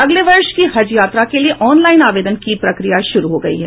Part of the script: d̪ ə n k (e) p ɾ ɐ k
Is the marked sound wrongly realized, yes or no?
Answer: yes